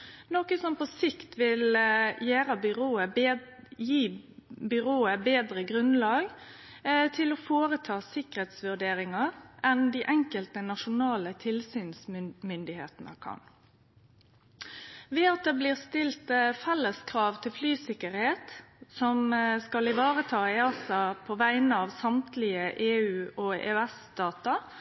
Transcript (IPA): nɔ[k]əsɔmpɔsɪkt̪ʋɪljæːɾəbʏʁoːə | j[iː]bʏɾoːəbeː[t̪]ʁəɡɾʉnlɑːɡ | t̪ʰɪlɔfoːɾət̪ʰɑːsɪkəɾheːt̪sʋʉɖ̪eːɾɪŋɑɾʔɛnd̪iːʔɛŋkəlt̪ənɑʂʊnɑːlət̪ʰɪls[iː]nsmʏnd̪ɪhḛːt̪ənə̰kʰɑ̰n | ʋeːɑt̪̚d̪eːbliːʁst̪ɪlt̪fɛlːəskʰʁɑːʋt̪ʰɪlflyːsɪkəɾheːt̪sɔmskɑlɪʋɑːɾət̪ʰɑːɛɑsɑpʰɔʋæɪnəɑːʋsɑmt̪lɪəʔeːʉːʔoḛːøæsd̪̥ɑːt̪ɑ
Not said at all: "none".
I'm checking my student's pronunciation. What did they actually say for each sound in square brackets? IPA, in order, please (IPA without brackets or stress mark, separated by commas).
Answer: k, iː, d̪, yː